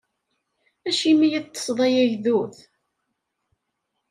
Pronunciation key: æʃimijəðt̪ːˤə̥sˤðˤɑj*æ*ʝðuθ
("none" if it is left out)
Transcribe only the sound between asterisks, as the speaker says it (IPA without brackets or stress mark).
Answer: æ